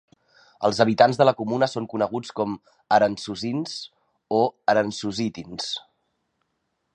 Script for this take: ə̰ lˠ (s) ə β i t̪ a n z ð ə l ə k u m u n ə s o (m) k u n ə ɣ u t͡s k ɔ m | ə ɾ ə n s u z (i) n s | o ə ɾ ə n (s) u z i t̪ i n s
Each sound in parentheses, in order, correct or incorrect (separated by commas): incorrect, incorrect, correct, correct